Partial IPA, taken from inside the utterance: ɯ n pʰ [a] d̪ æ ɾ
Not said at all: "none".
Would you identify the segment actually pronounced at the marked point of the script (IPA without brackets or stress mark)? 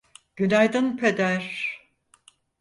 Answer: e